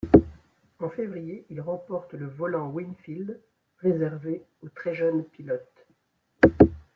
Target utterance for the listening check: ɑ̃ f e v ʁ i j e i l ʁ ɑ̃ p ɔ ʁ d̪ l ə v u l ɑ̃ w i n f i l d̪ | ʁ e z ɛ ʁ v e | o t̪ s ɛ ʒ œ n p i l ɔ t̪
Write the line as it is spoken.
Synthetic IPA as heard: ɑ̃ f e v ʁ i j e i l ʁ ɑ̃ p ɔ ʁ t̪ l ə v ɔ l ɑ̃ w i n f i l d̪ | ʁ e z ɛ ʁ v e | o t̪ χ ɛ ʒ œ n p i l ɔ t̪

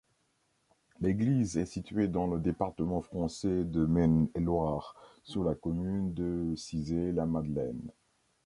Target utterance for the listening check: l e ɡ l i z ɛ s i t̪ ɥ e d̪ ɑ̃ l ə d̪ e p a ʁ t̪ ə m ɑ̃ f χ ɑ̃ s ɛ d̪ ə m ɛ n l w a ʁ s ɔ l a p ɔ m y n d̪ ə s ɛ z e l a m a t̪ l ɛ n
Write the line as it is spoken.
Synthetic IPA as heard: l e ɡ l i z ɛ s i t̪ ɥ e d̪ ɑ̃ l ə d̪ e p a ʁ t̪ ə m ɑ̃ f χ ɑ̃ s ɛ d̪ ə m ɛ n l w a ʁ s u l a k ɔ m y n d̪ ə s i z e l a m a d̪ l ɛ n

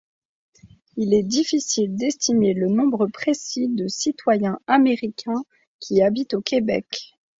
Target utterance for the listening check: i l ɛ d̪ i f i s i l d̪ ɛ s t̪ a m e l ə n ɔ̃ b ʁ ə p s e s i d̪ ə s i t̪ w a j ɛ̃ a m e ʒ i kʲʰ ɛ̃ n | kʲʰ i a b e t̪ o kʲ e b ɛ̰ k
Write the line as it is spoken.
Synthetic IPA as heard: i l ɛ d̪ i f i s i l d̪ ɛ s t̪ i m e l ə n ɔ̃ b ʁ ə p χ e s i d̪ ə s i t̪ w a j ɛ̃ a m e ʁ i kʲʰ ɛ̃ | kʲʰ i a b i t̪ o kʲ e b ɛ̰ k

